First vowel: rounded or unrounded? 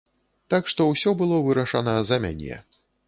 unrounded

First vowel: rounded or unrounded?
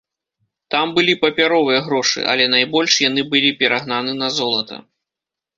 unrounded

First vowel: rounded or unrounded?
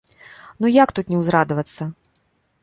rounded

